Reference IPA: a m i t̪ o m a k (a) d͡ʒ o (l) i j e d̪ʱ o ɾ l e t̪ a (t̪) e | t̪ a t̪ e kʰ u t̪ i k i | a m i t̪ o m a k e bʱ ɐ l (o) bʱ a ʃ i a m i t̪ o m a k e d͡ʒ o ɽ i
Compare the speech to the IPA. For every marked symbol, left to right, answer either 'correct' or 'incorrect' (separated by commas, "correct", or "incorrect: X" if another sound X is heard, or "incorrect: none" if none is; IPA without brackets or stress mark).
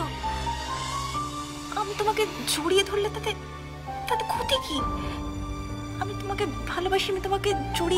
incorrect: e, incorrect: ɽ, correct, correct